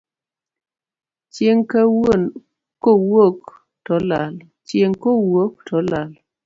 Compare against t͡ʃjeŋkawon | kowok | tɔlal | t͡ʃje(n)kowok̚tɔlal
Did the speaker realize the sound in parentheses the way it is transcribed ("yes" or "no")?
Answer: no